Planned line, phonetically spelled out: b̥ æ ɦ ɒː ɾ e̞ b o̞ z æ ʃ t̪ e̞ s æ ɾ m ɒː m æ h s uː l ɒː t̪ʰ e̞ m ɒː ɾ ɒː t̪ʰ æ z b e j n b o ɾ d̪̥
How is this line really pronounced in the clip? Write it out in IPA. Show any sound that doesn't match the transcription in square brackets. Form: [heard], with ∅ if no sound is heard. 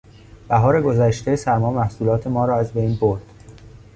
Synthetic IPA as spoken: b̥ æ ɦ ɒː ɾ e̞ [ɡ] o̞ z æ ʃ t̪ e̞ s æ ɾ m ɒː m æ h s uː l ɒː t̪ʰ e̞ m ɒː ɾ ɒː [∅] æ z b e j n b o ɾ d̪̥